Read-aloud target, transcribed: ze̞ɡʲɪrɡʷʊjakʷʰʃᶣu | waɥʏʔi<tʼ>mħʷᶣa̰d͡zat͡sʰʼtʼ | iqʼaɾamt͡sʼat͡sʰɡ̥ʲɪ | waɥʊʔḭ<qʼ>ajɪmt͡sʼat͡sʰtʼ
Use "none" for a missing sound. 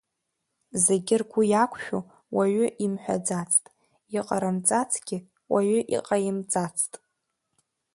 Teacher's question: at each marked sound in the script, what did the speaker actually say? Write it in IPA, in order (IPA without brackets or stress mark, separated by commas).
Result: none, qʼ